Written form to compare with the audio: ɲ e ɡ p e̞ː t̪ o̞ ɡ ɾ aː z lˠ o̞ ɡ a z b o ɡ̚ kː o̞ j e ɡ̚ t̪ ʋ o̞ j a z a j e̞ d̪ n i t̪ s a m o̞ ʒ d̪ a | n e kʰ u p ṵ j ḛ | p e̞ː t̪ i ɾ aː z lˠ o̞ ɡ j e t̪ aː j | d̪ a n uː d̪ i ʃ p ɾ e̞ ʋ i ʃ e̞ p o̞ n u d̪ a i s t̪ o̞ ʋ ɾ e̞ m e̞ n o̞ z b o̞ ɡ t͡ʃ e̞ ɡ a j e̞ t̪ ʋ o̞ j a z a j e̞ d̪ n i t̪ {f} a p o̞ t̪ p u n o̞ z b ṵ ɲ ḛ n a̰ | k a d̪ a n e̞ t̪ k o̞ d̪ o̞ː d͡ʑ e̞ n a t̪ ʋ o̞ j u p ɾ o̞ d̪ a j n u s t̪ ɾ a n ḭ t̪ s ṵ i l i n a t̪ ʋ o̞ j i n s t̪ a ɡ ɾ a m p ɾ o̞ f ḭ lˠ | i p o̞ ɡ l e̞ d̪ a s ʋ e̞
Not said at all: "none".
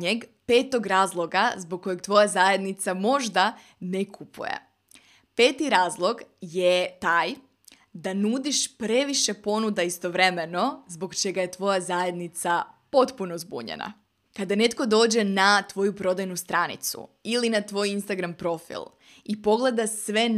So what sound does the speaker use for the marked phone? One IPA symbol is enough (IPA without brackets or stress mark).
s